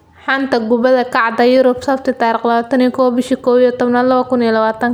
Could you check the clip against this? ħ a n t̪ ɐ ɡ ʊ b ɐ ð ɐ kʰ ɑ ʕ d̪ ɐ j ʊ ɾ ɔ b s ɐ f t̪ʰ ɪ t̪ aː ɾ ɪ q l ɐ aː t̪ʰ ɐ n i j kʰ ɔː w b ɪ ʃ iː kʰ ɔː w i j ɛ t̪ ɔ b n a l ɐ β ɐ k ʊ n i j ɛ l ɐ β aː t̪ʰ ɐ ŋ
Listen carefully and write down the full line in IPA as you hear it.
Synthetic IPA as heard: ħ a n t̪ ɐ ɡ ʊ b ɐ ð ɐ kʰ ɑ ʕ d̪ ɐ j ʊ ɾ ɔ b s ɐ f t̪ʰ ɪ t̪ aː ɾ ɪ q l ɐ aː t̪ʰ ɐ n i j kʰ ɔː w b ɪ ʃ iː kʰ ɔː w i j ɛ t̪ ɔ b n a l ɐ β ɐ k ʊ n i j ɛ l ɐ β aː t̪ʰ ɐ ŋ